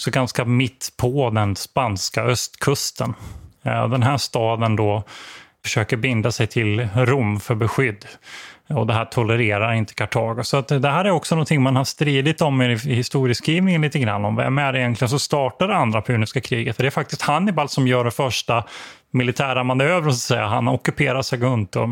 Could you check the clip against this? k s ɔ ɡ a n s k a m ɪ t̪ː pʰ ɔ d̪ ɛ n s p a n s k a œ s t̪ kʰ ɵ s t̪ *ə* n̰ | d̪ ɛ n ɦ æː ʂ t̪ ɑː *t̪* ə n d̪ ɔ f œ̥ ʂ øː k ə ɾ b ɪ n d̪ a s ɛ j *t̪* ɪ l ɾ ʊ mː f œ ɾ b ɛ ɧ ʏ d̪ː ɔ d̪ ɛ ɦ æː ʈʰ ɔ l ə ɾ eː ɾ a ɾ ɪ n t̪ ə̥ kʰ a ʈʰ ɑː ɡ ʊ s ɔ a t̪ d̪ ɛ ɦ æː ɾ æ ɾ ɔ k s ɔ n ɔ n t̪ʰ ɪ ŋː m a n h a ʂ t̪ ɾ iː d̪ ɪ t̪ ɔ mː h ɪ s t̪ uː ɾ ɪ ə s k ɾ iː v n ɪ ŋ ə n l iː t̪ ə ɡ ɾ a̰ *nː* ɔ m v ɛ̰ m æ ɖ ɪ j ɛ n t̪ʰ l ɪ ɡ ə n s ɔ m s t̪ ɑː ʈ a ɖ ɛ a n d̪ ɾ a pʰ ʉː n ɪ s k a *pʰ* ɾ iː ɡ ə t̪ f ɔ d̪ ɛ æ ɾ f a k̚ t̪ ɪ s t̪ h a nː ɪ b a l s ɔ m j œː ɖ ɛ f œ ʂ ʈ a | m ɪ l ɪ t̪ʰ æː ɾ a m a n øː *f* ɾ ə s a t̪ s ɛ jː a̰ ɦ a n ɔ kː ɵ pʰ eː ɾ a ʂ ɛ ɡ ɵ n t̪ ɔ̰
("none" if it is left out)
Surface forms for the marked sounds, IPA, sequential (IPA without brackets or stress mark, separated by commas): ə, d̪, t̪ʰ, nː, kʰ, v